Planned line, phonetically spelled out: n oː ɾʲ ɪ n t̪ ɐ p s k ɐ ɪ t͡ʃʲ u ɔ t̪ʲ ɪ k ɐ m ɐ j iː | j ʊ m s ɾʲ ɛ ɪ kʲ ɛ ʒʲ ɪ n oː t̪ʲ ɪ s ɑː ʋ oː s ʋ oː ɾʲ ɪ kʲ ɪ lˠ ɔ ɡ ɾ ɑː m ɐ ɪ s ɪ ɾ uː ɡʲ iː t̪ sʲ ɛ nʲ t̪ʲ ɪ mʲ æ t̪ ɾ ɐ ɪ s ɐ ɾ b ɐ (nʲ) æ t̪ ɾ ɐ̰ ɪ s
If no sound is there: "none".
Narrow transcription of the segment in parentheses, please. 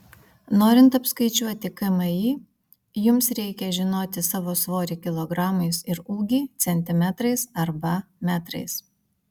mʲ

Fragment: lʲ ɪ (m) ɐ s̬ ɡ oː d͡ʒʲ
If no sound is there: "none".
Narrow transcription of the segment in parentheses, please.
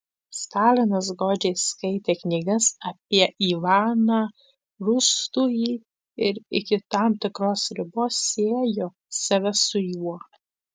n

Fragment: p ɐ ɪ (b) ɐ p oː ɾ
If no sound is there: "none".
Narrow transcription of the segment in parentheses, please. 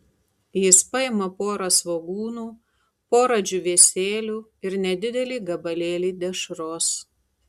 m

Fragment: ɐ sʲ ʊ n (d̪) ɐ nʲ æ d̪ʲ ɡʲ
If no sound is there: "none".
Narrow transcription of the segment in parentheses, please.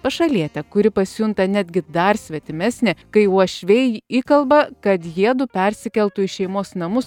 t̪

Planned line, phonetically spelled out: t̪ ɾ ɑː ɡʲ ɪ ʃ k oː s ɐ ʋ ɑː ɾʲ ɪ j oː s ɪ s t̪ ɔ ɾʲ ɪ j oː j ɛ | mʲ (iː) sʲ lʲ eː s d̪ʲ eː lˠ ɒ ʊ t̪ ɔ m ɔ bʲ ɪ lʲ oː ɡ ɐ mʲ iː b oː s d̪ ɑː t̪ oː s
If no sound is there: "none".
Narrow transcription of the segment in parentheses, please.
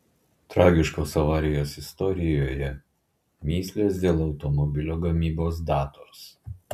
iː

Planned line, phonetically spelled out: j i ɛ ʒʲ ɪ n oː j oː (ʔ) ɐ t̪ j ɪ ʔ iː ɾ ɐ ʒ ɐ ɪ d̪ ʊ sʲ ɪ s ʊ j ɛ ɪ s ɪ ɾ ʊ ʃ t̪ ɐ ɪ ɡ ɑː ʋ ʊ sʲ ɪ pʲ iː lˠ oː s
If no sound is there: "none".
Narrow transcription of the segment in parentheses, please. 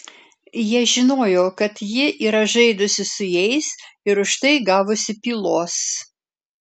k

